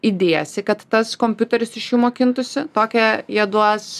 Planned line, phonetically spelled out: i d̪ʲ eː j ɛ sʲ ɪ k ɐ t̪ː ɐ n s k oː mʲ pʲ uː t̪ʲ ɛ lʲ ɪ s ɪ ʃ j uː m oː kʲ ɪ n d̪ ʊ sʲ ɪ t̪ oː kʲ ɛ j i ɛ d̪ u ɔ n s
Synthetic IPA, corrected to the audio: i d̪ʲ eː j ɛ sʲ ɪ k ɐ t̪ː ɐ s k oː mʲ pʲ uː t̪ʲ ɛ ɾʲ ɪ s ɪ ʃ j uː m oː kʲ ɪ n t̪ ʊ sʲ ɪ t̪ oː kʲ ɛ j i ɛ d̪ u ɔ s